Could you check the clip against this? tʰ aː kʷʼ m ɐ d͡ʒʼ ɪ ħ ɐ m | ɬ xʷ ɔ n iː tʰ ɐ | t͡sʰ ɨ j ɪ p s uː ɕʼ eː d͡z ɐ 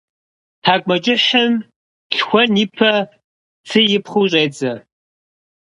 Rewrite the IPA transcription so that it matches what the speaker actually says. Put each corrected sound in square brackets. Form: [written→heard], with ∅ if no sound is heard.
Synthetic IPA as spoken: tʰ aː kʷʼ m ɐ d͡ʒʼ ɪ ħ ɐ m | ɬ xʷ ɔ n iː [tʰ→pʰ] ɐ | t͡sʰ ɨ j ɪ p [s→χ] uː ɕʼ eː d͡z ɐ